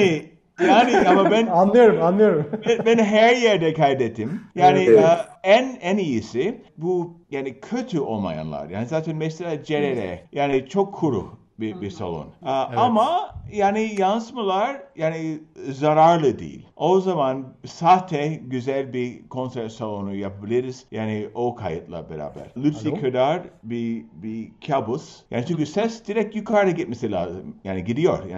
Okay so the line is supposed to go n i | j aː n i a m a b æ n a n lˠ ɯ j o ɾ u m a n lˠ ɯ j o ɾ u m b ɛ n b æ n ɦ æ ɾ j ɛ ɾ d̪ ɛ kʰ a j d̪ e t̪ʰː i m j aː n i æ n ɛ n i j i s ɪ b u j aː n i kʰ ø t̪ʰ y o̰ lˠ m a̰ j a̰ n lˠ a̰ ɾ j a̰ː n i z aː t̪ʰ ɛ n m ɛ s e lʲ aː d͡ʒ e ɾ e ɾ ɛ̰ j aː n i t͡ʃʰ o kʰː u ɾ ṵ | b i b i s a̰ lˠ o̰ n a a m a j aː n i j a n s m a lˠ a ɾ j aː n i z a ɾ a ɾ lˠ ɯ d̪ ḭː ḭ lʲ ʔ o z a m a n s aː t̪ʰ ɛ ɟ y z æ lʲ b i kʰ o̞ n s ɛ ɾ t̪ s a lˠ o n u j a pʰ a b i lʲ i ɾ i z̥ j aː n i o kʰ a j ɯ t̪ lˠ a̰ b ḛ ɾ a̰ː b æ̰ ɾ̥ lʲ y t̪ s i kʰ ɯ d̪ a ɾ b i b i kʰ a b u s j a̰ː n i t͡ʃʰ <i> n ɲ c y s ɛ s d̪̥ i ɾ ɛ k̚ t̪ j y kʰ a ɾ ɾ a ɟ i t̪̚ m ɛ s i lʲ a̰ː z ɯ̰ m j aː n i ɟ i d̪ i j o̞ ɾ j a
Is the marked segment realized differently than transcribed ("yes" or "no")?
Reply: yes